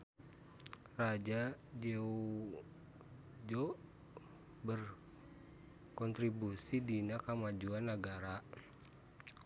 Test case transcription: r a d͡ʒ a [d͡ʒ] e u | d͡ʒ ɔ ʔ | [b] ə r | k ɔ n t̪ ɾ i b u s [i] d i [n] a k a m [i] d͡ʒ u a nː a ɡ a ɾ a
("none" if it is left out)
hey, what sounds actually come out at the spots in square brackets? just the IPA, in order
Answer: d͡ʒ, b, i, n, a

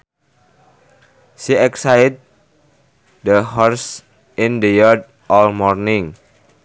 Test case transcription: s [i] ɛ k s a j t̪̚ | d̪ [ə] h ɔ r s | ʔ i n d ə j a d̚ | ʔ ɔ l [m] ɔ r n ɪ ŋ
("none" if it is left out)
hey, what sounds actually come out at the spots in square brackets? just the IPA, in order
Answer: i, ə, m

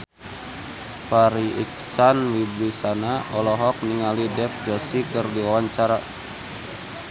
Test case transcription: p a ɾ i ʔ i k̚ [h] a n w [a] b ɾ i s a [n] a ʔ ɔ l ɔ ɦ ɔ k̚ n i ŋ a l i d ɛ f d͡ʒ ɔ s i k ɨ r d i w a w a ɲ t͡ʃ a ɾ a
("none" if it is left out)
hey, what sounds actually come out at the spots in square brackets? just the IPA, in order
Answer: s, i, n

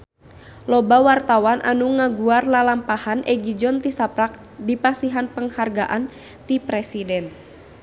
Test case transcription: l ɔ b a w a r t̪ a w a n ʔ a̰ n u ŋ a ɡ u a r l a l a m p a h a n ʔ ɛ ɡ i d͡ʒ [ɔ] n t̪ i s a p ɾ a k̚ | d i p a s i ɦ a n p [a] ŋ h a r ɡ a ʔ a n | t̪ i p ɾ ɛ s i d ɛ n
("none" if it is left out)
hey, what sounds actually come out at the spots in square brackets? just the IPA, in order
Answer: ɔ, ə

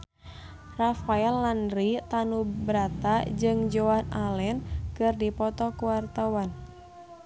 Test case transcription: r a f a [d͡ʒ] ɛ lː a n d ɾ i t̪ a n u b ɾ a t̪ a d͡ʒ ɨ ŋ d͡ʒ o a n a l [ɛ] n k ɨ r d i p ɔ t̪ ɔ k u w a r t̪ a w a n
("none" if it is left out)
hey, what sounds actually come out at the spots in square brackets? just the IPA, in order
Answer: none, ɛ

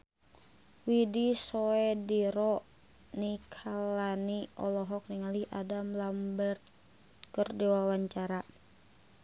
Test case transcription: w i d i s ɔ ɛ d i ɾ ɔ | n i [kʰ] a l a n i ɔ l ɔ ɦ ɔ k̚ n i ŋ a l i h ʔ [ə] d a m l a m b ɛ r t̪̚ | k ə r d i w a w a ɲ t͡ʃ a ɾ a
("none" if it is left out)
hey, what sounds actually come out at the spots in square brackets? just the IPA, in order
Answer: kʰ, a

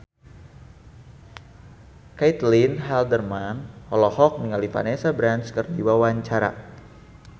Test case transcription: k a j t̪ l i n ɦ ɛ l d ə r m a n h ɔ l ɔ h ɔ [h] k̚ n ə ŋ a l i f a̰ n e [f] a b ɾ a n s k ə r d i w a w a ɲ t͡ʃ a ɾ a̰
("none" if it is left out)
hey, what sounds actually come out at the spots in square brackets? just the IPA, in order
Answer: none, s

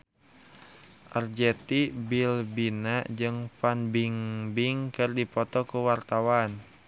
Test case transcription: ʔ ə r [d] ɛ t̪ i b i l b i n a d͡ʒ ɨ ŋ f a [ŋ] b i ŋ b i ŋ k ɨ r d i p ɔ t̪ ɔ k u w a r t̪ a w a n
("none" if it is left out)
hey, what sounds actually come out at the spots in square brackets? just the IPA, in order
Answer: d͡ʒ, n

